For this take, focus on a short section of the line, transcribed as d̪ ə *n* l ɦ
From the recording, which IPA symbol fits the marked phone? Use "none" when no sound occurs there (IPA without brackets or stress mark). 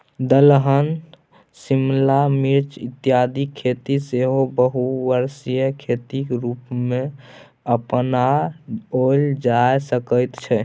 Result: none